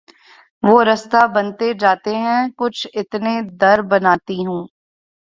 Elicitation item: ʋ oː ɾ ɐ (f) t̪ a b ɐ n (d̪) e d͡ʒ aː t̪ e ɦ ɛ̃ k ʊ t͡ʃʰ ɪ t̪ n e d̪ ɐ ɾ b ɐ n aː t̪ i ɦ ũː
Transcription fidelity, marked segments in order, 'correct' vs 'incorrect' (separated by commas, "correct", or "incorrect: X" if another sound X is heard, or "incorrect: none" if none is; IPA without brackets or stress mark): incorrect: s, incorrect: t̪